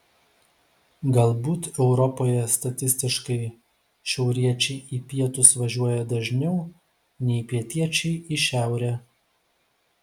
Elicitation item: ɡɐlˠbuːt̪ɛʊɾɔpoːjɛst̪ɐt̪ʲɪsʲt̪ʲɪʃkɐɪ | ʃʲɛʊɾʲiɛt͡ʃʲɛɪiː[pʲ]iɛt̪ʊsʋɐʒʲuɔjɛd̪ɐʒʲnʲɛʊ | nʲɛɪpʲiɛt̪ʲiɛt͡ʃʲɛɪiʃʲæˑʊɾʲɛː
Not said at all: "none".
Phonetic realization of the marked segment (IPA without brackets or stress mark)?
pʲ